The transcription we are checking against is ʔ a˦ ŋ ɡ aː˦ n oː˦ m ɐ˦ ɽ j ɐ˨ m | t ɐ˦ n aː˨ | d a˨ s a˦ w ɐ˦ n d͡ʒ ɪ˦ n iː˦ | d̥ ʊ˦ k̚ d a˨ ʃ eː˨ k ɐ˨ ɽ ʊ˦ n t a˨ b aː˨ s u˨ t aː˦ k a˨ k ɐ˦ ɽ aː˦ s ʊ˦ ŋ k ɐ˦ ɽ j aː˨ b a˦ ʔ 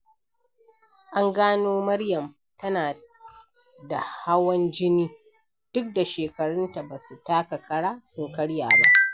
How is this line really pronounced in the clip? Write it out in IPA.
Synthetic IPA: ʔ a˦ ŋ ɡ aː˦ n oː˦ m ɐ˦ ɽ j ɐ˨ m | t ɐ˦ n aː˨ | d a˨ h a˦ w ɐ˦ n d͡ʒ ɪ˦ n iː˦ | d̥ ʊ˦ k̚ d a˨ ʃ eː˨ k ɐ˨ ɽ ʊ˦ n t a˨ b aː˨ s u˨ t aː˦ k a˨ k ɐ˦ ɽ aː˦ s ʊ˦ ŋ k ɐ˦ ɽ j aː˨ b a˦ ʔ